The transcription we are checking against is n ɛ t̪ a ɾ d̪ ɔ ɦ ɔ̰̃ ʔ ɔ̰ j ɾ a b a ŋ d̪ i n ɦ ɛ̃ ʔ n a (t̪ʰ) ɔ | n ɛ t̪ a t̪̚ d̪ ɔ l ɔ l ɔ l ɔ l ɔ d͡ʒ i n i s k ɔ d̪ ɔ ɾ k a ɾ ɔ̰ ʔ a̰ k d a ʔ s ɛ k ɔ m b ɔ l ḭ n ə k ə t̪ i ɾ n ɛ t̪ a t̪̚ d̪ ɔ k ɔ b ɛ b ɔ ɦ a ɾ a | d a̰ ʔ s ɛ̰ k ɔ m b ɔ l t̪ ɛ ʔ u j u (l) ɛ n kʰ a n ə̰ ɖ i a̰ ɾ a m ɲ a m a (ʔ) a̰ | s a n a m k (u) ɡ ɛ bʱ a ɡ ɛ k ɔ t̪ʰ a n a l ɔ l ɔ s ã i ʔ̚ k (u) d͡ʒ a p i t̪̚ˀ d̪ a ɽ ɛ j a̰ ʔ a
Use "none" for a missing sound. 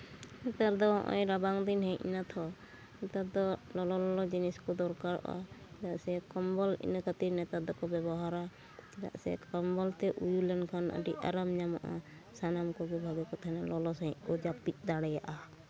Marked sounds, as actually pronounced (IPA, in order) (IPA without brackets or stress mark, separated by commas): t̪ʰ, l, ʔ, ɔ, ɔ